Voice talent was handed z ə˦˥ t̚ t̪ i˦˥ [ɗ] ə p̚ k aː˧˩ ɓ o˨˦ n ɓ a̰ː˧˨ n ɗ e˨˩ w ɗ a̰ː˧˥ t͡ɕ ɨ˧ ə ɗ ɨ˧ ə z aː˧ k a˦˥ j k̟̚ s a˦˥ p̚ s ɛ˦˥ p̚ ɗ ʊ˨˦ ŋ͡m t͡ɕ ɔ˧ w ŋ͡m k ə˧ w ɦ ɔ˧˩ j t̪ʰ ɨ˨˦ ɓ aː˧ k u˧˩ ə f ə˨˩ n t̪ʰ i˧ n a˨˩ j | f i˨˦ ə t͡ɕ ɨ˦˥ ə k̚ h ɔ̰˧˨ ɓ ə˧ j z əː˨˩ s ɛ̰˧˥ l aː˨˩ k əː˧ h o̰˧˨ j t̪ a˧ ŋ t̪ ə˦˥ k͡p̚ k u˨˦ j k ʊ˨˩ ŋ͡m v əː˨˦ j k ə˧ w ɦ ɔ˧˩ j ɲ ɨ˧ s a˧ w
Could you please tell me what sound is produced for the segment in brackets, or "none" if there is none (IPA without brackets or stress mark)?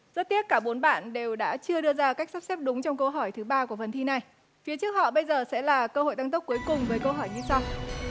none